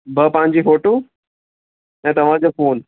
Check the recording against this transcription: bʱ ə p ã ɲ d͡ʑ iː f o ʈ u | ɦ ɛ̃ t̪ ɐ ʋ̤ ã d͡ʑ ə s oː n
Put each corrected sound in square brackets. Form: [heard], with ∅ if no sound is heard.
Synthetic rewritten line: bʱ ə p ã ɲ d͡ʑ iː f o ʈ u | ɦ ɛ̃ t̪ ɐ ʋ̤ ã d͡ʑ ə [f] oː n